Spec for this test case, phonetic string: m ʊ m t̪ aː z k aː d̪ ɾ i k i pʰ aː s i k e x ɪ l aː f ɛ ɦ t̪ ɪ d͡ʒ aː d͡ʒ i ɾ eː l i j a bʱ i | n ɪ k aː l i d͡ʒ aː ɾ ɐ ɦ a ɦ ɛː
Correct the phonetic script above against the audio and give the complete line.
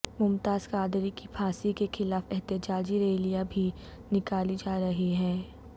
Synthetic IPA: m ʊ m t̪ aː z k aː d̪ ɾ i k i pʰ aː s i k e x ɪ l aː f ɛ ɦ t̪ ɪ d͡ʒ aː d͡ʒ i ɾ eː l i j a bʱ i | n ɪ k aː l i d͡ʒ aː ɾ ɐ ɦ i ɦ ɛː

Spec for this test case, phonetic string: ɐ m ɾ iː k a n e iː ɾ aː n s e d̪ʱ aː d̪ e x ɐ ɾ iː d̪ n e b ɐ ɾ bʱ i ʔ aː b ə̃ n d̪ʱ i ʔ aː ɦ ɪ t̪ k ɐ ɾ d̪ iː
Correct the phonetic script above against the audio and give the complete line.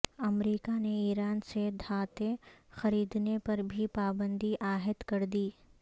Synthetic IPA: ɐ m ɾ iː k a n e iː ɾ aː n s e d̪ʱ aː t̪ e x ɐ ɾ iː d̪ n e p ɐ ɾ bʱ i p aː b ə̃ n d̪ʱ i ʔ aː ɦ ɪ t̪ k ɐ ɾ d̪ iː

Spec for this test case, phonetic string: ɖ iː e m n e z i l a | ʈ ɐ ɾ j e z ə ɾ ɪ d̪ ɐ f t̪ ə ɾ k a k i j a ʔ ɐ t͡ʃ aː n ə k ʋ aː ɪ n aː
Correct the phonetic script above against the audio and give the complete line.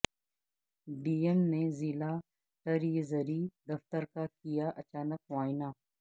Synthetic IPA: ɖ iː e m n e z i l a | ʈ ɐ ɾ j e z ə ɾ i d̪ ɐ f t̪ ə ɾ k a k i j a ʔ ɐ t͡ʃ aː n ə k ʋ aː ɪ n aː

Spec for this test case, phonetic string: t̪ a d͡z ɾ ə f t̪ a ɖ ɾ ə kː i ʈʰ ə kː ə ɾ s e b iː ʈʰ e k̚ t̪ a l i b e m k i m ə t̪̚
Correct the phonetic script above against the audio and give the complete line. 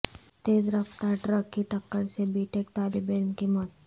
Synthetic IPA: t̪ e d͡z ɾ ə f t̪ a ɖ ɾ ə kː i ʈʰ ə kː ə ɾ s e b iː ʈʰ e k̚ t̪ a l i b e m k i m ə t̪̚

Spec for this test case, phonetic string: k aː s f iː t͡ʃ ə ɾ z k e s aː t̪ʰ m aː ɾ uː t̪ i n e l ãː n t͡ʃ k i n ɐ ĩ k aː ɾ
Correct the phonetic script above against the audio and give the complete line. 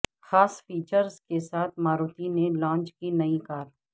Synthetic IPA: x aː s f iː t͡ʃ ə ɾ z k e s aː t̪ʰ m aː ɾ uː t̪ i n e l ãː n t͡ʃ k i n ɐ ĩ k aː ɾ

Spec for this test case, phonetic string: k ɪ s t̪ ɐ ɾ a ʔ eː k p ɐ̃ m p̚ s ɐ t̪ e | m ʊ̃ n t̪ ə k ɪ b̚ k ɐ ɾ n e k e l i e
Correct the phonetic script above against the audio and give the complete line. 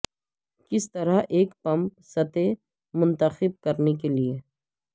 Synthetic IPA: k ɪ s t̪ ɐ ɾ a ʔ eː k p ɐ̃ m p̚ s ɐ t̪ e | m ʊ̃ n t̪ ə x ɪ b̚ k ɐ ɾ n e k e l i e

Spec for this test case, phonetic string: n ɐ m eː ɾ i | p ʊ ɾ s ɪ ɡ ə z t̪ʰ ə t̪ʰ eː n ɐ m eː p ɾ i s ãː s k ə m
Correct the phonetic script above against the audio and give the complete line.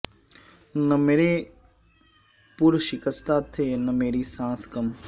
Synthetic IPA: n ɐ m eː ɾ e | p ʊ ɾ ʃ ɪ k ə s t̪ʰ a t̪ʰ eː n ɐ m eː ɾ i s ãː s k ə m

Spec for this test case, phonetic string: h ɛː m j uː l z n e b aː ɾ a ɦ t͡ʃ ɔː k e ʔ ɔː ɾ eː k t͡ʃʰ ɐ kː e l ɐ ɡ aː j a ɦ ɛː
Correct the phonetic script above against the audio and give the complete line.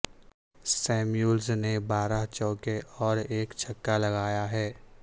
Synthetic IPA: s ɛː m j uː l z n e b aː ɾ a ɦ t͡ʃ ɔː k e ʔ ɔː ɾ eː k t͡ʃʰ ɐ kː a l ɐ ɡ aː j a ɦ ɛː

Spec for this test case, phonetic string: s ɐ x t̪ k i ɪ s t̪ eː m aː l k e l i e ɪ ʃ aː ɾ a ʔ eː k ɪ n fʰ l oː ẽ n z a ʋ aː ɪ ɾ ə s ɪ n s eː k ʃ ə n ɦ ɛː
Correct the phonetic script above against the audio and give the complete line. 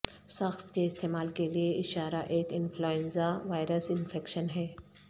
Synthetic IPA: s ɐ x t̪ k e ɪ s t̪ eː m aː l k e l i e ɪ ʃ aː ɾ a ʔ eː k ɪ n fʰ l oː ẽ n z a ʋ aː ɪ ɾ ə s ɪ n f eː k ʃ ə n ɦ ɛː

